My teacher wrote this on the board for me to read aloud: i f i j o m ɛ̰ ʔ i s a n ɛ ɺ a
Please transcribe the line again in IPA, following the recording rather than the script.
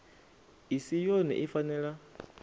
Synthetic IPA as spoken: i s i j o n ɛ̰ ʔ i f a n ɛ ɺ a